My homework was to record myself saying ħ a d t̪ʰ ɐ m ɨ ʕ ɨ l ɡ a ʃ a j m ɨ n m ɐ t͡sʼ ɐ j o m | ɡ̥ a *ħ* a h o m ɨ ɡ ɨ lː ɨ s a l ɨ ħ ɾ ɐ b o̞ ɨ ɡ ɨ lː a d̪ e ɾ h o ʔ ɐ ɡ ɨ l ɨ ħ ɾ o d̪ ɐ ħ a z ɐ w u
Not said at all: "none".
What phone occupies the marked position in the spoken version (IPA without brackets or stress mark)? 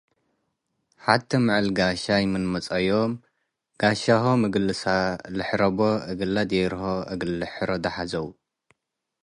ʃ